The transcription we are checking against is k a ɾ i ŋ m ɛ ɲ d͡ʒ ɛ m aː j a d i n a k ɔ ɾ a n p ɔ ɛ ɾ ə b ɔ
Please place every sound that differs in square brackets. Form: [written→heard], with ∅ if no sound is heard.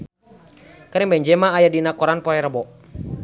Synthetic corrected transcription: k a ɾ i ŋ [m→b] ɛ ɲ d͡ʒ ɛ m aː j a d i n a k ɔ ɾ a n p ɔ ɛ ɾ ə b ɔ